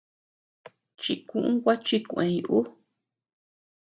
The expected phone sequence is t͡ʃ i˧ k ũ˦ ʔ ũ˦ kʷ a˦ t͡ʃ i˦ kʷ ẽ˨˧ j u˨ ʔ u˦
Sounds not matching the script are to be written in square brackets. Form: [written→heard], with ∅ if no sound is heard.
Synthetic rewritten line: t͡ʃ i˧ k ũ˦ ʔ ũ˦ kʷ a˦ t͡ʃ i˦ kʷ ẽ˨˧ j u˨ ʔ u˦